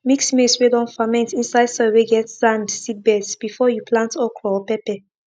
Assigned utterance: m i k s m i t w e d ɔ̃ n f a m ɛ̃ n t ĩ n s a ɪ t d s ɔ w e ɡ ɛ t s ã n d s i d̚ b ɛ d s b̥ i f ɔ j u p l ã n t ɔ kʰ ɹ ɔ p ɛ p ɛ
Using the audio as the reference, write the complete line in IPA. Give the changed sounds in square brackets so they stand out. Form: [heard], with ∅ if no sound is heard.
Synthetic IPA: m i k s m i [s] w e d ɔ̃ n f a m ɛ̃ n t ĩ n s a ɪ [∅] d s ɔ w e ɡ ɛ t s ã n d s i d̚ b ɛ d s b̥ i f ɔ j u p l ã n t ɔ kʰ ɹ ɔ p ɛ p ɛ